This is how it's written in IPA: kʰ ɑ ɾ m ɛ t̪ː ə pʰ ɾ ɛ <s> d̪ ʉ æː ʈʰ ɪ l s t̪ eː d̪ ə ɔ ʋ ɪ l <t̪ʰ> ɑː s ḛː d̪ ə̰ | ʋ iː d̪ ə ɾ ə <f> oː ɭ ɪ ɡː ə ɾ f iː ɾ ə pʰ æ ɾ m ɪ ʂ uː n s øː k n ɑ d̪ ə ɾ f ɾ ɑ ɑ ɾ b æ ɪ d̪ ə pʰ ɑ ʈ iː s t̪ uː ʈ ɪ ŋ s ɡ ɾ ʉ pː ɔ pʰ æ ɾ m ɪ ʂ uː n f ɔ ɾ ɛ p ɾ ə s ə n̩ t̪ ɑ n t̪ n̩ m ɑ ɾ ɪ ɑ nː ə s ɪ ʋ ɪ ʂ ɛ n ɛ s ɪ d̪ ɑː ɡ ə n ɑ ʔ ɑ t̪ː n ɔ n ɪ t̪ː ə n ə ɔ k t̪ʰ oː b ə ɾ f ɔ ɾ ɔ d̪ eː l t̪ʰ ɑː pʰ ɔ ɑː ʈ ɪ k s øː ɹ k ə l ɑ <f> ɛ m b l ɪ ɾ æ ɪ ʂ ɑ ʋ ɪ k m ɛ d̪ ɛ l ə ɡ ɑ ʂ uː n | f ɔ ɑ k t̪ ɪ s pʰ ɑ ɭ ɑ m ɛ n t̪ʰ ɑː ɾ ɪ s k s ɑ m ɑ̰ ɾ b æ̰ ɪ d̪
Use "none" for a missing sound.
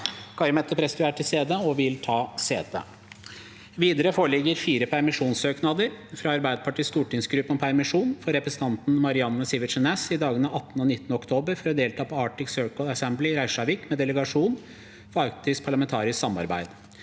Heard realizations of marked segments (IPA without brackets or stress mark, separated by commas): s, t̪ʰ, f, s